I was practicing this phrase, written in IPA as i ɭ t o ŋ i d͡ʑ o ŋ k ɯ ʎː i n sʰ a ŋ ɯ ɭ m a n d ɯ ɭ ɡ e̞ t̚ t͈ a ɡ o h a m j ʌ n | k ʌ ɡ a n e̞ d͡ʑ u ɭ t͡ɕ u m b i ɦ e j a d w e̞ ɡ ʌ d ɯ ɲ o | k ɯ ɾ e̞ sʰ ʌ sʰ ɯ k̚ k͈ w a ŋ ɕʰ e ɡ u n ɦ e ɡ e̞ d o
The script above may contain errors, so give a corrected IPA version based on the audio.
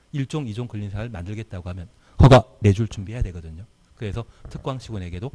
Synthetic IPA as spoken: i ɭ t͡ɕ͈ o ŋ i d͡ʑ o ŋ k ɯ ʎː i n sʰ a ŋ ɯ ɭ m a n d ɯ ɭ ɡ e̞ t̚ t͈ a ɡ o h a m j ʌ n | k ʌ ɡ a n e̞ d͡ʑ u ɭ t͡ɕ u m b i ɦ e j a d w e̞ ɡ ʌ d ɯ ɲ o | k ɯ ɾ e̞ sʰ ʌ tʰ ɯ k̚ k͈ w a ŋ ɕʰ i ɡ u n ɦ e ɡ e̞ d o

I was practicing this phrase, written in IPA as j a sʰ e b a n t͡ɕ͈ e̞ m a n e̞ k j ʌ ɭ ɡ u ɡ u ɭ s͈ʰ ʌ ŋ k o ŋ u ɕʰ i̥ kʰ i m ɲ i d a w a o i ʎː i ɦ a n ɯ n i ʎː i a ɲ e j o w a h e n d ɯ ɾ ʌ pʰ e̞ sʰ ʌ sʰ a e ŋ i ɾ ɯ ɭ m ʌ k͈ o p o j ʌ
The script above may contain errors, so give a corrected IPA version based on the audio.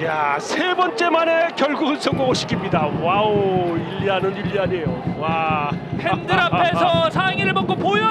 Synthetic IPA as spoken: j a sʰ e b ʌ n t͡ɕ͈ e̞ m a n e̞ k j ʌ ɭ ɡ u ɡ ɯ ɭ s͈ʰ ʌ ŋ ɡ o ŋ o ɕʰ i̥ kʰ i m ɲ i d a w a o i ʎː i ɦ a n ɯ n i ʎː i a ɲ e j o w a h e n d ɯ ɾ a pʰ e̞ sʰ ʌ sʰ a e ŋ i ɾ ɯ ɭ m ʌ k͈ o p o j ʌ

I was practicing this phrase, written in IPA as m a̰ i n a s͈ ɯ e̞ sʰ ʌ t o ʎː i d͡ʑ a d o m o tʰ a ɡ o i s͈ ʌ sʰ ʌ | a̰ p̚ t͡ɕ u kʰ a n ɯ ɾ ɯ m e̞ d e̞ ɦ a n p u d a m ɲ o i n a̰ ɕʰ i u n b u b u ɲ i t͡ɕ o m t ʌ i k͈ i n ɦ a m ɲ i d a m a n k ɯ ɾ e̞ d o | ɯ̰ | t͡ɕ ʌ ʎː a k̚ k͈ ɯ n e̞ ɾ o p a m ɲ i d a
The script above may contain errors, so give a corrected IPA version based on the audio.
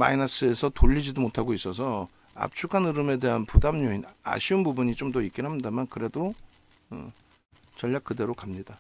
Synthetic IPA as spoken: m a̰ i n a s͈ ɯ e̞ sʰ ʌ t o ʎː i d͡ʑ i d o m o tʰ a ɡ o i s͈ ʌ sʰ ʌ | a̰ p̚ t͡ɕʰ u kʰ a n ɯ ɾ ɯ m e̞ d e̞ ɦ a n p u d a m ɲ o i n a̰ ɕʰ i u n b u b u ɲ i t͡ɕ o m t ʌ i k͈ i n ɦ a m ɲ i d a m a n k ɯ ɾ e̞ d o | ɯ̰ | t͡ɕ ʌ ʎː a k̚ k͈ ɯ d e̞ ɾ o k a m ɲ i d a

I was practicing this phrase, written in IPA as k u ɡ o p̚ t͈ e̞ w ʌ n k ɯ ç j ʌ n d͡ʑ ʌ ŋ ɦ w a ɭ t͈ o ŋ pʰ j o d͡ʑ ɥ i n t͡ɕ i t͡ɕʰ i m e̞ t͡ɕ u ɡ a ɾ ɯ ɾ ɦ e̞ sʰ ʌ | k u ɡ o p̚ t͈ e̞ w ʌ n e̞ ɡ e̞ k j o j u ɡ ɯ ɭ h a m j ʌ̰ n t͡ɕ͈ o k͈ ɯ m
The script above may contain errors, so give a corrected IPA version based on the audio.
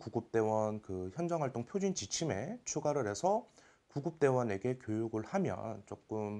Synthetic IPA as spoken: k u ɡ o p̚ t͈ e̞ w ʌ n k ɯ ç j ʌ n d͡ʑ ʌ ŋ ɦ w a ɭ t͈ o ŋ pʰ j o d͡ʑ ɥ i n t͡ɕ i t͡ɕʰ i m e̞ t͡ɕʰ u ɡ a ɾ ɯ ɾ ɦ e̞ sʰ ʌ | k u ɡ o p̚ t͈ e̞ w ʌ n e̞ ɡ e̞ k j o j u ɡ ɯ ɭ h a m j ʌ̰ n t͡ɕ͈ o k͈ ɯ m

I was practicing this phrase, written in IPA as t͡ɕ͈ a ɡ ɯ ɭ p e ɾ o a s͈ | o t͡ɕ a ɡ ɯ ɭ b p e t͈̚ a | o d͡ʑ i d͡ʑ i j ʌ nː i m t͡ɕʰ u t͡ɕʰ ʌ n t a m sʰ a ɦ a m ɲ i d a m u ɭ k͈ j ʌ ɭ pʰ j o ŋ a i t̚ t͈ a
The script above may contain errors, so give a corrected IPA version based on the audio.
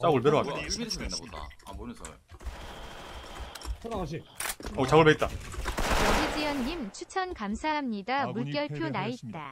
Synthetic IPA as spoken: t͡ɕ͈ a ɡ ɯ ɭ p e ɾ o a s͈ | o t͡ɕ a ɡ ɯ ɭ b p e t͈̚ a | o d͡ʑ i d͡ʑ i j ʌ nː i m t͡ɕʰ u t͡ɕʰ ʌ n k a m sʰ a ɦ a m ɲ i d a m u ɭ k͈ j ʌ ɭ pʰ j o n a i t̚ t͈ a

